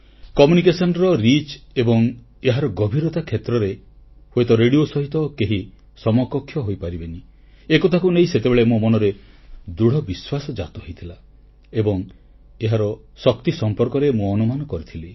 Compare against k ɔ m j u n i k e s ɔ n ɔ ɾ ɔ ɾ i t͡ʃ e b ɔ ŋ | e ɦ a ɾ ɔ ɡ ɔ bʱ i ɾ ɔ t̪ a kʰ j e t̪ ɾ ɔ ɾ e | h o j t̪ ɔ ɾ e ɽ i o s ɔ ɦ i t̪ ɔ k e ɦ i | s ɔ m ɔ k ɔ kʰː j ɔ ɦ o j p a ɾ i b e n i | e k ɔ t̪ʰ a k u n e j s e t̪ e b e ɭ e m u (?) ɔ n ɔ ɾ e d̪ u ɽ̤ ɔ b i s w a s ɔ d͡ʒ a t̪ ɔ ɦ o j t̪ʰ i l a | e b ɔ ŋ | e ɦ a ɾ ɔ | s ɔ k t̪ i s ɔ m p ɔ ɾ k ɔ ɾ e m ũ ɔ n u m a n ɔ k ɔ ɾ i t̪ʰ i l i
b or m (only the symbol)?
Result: m